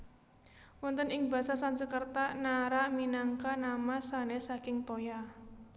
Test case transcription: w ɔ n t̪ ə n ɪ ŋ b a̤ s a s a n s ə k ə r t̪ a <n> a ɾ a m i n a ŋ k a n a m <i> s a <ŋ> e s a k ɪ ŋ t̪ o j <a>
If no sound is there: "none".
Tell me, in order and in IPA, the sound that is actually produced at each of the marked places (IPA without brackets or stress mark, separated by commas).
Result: n, a, n, a